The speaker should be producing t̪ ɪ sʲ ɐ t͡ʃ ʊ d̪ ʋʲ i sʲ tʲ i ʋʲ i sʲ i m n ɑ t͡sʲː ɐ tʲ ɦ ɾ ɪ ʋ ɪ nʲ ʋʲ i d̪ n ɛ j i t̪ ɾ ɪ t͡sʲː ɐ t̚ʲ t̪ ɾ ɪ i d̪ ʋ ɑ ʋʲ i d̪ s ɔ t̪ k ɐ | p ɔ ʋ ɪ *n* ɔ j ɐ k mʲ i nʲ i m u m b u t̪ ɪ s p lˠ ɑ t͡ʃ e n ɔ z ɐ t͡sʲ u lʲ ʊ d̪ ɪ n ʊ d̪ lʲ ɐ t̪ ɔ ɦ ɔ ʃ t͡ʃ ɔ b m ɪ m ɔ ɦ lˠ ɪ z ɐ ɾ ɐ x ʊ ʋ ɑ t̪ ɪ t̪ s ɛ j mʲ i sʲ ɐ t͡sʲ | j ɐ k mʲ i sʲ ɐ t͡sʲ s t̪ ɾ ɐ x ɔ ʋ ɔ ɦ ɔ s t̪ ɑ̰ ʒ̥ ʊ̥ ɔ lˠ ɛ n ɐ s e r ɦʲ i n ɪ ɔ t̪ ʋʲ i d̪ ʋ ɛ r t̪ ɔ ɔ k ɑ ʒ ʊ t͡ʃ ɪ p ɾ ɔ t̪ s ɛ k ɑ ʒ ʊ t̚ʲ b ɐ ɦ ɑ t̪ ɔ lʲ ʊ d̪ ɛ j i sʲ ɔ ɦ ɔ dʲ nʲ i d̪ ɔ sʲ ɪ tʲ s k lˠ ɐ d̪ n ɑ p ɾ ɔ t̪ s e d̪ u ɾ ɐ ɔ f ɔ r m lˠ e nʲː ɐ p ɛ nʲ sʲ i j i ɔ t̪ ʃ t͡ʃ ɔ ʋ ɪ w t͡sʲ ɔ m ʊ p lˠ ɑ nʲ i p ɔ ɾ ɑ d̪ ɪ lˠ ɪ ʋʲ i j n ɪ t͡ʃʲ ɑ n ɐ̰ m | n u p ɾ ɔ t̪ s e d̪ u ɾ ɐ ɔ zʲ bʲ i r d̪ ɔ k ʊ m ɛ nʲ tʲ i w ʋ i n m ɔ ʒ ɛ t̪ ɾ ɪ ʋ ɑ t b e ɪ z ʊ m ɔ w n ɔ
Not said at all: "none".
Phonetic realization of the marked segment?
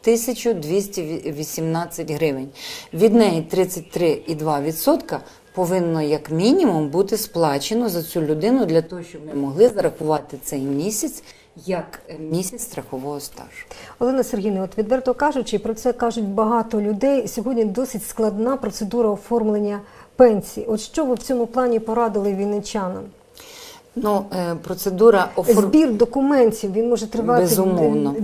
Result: nː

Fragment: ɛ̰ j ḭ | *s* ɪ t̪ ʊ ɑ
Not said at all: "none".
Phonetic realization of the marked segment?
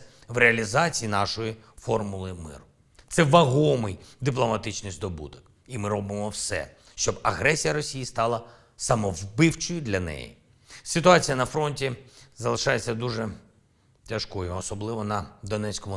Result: s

